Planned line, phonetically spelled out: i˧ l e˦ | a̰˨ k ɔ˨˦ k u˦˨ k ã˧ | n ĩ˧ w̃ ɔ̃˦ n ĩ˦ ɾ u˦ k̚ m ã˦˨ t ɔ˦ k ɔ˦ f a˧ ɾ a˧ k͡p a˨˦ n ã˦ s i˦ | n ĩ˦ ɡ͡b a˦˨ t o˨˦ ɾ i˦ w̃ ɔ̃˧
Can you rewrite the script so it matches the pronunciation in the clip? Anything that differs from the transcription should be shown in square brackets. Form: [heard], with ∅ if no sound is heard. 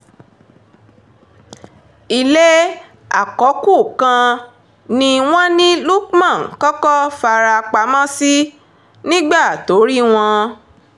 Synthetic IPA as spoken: i˧ l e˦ | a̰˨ k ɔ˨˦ k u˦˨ k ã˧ | n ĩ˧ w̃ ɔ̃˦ n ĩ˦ [l] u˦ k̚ m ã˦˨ [k] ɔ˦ k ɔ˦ f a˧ ɾ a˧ k͡p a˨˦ [m] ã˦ s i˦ | n ĩ˦ ɡ͡b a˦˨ t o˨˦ ɾ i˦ w̃ ɔ̃˧